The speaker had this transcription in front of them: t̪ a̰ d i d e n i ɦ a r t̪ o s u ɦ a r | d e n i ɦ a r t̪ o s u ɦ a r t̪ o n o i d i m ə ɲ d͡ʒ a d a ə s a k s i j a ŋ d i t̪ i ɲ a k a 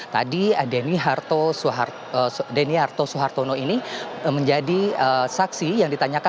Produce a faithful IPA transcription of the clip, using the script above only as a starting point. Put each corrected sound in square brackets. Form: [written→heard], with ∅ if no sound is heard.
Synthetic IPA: t̪ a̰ d i d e n i ɦ a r t̪ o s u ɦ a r | d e n i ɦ a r t̪ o s u ɦ a r t̪ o n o i [d→n] i m ə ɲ d͡ʒ a d [a→i] ə s a k s i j a ŋ d i t̪ [i→a] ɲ a k a